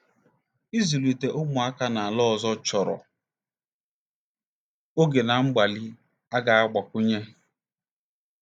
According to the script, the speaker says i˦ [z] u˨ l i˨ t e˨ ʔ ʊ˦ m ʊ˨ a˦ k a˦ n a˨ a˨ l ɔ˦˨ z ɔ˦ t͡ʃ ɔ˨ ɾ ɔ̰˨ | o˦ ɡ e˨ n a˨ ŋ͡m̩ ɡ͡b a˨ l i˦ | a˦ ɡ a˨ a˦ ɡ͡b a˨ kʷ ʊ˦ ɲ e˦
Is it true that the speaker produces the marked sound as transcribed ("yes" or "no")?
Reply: yes